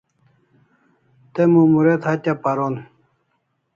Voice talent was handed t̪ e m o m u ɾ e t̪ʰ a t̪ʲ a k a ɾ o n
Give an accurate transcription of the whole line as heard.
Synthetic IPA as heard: t̪ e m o m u ɾ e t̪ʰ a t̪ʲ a p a ɾ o n